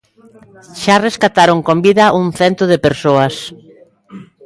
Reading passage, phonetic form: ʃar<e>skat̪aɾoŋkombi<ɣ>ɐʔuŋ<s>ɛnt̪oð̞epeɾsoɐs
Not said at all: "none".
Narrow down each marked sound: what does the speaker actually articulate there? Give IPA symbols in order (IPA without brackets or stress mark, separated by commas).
e, ð, θ